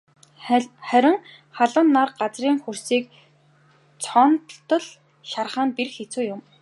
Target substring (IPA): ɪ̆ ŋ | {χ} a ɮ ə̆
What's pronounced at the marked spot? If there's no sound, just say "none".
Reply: χ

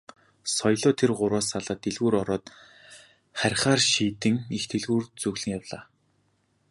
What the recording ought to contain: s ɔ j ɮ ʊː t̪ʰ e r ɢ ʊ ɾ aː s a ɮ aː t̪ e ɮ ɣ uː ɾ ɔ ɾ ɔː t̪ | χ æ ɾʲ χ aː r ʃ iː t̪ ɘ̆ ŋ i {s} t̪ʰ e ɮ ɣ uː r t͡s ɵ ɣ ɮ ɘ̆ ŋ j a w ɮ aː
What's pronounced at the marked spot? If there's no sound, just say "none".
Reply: x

